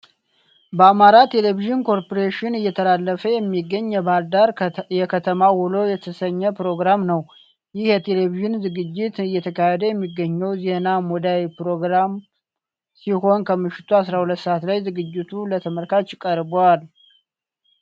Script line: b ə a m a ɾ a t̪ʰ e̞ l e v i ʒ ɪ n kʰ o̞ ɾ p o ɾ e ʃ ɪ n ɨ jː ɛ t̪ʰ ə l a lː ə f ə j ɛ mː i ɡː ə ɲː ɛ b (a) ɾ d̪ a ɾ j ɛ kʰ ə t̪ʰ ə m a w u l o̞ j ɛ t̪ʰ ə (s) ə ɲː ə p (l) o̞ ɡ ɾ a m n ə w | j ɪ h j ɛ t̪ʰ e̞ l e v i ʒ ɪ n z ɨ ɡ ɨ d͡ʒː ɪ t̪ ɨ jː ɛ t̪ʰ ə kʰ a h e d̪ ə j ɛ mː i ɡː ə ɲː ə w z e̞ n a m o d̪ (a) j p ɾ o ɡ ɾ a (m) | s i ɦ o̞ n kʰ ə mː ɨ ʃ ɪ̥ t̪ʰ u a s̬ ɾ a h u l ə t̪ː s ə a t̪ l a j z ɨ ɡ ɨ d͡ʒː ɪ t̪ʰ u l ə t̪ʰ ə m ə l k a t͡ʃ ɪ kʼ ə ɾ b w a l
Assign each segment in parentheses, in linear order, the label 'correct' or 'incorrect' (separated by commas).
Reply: correct, correct, incorrect, correct, correct